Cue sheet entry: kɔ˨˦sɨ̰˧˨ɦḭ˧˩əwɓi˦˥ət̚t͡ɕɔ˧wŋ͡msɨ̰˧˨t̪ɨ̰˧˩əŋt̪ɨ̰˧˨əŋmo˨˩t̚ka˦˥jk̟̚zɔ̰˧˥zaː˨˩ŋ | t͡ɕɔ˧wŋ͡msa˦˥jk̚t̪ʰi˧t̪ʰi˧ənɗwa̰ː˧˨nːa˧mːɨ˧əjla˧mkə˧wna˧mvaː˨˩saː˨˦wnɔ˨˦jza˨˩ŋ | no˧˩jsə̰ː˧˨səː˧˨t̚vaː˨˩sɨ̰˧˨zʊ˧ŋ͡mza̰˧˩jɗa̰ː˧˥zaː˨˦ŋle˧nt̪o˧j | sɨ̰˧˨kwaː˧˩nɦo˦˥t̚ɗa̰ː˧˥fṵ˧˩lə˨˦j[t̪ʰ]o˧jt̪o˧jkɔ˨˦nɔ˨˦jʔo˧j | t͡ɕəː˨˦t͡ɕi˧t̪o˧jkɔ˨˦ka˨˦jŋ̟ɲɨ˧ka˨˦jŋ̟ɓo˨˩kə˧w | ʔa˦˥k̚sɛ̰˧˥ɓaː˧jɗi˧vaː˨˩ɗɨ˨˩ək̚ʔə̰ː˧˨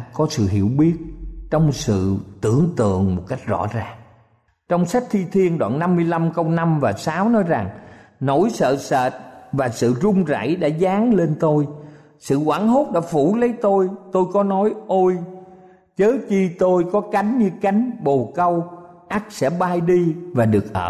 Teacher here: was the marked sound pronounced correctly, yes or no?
no